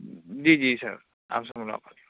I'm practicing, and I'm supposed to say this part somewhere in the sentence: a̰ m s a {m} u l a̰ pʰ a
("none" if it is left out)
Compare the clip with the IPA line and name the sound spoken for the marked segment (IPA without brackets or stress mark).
m